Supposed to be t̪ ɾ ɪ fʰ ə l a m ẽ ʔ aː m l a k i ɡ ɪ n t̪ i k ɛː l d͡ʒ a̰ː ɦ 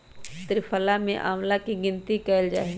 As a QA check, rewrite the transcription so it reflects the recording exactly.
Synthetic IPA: t̪ ɾ ɪ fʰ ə l a m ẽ ʔ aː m l a k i ɡ ɪ n t̪ i k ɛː l d͡ʒ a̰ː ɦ